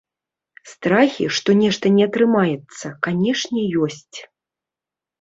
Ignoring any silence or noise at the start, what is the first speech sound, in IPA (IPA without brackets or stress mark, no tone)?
s